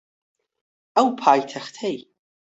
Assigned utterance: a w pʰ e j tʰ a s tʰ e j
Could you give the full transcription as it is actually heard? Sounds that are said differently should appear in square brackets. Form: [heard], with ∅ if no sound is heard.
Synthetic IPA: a w pʰ [a] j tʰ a [χ] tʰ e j